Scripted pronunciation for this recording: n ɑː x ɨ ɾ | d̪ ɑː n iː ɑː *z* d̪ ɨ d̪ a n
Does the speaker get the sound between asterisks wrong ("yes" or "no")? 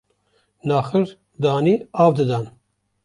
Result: yes